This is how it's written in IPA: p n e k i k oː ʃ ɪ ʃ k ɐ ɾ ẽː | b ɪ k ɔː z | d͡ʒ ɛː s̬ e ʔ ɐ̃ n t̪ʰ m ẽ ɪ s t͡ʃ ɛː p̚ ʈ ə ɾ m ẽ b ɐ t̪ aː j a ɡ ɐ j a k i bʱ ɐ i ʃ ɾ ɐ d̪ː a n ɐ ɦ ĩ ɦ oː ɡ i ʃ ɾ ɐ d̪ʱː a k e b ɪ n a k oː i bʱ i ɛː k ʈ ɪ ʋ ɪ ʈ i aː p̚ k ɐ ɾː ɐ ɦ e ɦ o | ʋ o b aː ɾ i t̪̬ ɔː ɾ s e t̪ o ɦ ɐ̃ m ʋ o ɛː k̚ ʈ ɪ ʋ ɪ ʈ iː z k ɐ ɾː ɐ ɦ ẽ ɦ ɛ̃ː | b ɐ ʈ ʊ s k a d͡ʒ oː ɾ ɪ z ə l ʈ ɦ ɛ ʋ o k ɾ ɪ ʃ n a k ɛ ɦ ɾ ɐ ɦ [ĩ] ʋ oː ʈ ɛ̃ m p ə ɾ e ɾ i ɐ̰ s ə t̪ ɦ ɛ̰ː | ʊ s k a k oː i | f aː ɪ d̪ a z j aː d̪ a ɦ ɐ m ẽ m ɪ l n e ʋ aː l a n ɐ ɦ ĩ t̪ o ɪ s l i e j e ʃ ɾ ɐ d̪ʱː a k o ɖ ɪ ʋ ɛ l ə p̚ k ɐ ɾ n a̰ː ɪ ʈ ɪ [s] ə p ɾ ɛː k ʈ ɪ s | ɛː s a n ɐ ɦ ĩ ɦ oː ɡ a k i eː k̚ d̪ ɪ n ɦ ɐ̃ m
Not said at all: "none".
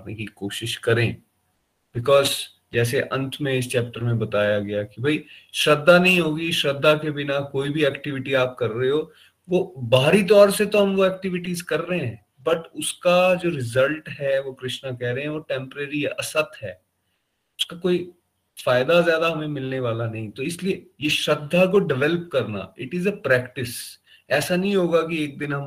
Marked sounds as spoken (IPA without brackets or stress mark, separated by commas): ɛ̃, z